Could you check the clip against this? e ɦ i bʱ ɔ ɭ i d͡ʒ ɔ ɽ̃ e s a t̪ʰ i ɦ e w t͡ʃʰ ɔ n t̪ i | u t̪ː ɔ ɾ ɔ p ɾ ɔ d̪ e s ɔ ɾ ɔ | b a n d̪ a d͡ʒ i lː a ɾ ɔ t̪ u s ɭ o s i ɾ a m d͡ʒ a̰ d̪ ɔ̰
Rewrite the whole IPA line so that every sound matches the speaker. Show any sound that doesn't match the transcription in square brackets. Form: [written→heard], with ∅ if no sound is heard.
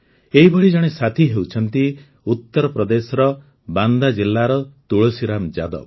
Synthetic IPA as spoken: e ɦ i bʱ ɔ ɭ i d͡ʒ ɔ ɽ̃ e s a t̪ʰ i ɦ e w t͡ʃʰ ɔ n t̪ i | u t̪ː ɔ ɾ ɔ p ɾ ɔ d̪ e s ɔ ɾ ɔ | b a n d̪ a d͡ʒ i lː a ɾ ɔ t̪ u [s→∅] ɭ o s i ɾ a m d͡ʒ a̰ d̪ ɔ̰

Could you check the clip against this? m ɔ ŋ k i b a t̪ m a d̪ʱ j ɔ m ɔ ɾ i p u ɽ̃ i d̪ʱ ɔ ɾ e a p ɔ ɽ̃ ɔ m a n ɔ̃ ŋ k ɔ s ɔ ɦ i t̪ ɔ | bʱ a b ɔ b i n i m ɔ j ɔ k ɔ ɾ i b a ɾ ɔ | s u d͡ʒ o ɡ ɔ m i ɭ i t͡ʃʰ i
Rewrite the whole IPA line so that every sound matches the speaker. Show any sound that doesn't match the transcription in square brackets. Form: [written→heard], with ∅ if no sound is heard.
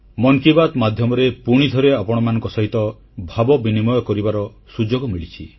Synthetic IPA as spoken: m ɔ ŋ k i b a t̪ m a d̪ʱ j ɔ m ɔ ɾ [i→e] p u ɽ̃ i d̪ʱ ɔ ɾ e a p ɔ ɽ̃ ɔ m a n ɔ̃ ŋ k ɔ s ɔ ɦ i t̪ ɔ | bʱ a b ɔ b i n i m ɔ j ɔ k ɔ ɾ i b a ɾ ɔ | s u d͡ʒ o ɡ ɔ m i ɭ i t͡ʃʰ i

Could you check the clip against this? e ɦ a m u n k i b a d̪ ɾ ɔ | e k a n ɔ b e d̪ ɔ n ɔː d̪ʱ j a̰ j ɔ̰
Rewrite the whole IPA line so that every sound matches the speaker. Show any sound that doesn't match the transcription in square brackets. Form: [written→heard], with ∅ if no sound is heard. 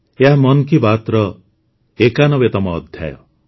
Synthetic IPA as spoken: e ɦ a m [u→ɔ] n k i b a [d̪→t̪] ɾ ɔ | e k a n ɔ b e [d̪→t̪] ɔ [n→m] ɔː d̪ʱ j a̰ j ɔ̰

